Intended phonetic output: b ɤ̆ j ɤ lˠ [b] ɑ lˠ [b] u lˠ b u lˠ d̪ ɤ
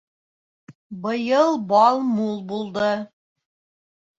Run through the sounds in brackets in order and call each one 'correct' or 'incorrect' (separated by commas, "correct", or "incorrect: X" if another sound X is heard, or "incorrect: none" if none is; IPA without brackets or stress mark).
correct, incorrect: m